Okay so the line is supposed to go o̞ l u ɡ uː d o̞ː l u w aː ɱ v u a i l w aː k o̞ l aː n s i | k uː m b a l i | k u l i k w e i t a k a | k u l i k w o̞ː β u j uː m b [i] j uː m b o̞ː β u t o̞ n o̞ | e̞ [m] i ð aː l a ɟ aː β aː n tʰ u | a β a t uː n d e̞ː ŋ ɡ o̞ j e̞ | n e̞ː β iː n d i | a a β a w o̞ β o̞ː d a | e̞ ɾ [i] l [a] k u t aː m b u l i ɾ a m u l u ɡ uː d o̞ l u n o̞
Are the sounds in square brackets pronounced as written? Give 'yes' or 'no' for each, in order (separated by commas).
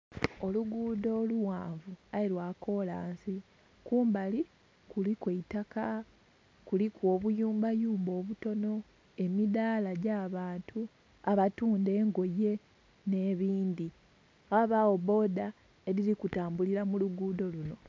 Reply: no, yes, yes, no